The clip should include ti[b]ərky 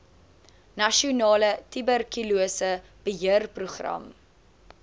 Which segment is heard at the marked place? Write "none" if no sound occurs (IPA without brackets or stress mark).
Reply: b